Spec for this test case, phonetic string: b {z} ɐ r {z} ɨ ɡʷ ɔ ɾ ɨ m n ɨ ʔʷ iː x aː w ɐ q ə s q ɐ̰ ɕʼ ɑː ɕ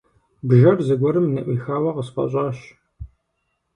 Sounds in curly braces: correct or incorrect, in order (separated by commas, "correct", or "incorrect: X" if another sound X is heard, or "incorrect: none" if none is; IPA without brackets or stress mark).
incorrect: ʒ, correct